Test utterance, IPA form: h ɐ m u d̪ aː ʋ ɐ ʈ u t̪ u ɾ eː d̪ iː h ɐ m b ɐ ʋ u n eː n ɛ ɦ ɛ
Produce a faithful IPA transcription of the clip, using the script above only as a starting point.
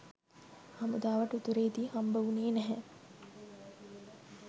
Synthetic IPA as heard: h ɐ m u d̪ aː ʋ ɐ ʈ u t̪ u ɾ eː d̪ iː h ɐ m b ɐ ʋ u n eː n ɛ ɦ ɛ